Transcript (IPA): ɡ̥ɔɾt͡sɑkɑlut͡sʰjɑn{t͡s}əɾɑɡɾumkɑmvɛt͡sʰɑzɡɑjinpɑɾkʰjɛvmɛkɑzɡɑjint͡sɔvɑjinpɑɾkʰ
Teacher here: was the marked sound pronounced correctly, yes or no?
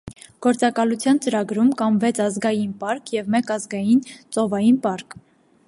yes